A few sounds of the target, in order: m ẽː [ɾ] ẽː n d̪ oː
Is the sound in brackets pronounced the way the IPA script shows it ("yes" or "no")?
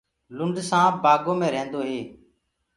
yes